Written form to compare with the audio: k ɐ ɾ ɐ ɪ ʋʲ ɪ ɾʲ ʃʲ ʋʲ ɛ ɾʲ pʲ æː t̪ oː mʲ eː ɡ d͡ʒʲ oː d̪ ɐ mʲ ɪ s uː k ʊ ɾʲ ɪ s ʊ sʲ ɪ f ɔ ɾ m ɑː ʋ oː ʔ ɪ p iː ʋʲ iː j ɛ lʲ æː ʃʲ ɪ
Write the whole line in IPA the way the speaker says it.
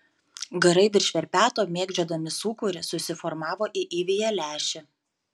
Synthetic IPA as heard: ɡ ɐ ɾ ɐ ɪ ʋʲ ɪ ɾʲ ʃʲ ʋʲ ɛ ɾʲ pʲ æː t̪ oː mʲ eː ɡ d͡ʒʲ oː d̪ ɐ mʲ ɪ s uː k ʊ ɾʲ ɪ s ʊ sʲ ɪ f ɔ ɾ m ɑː ʋ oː ʔ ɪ ʔ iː ʋʲ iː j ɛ lʲ æː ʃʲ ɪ